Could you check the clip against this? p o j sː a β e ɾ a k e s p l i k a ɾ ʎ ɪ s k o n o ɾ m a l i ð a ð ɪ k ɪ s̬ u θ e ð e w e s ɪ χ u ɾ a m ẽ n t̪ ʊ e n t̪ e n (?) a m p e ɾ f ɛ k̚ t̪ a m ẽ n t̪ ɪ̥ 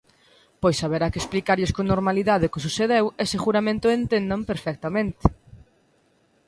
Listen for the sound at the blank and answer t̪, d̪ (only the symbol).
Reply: d̪